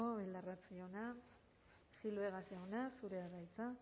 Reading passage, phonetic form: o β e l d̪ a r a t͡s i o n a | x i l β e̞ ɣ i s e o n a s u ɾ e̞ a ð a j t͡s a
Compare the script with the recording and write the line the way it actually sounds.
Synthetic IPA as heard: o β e l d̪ a r a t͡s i o n a | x i l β e̞ ɣ a s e o n a s u ɾ e̞ a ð a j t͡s a